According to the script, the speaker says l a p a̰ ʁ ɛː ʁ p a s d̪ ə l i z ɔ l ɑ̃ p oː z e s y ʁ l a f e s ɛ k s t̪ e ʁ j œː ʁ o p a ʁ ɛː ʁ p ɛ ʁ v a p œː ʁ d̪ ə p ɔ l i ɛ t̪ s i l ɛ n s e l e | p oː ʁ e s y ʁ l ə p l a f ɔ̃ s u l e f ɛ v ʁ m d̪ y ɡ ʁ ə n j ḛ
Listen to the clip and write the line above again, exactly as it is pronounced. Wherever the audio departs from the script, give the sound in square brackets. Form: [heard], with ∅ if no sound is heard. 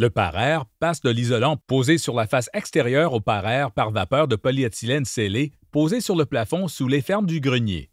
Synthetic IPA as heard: l [ə] p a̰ ʁ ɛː ʁ p a s d̪ ə l i z ɔ l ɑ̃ p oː z e s y ʁ l a f [a] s ɛ k s t̪ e ʁ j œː ʁ o p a ʁ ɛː ʁ p [a] ʁ v a p œː ʁ d̪ ə p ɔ l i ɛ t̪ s i l ɛ n s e l e | p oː [z] e s y ʁ l ə p l a f ɔ̃ s u l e f ɛ [∅] ʁ m d̪ y ɡ ʁ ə n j ḛ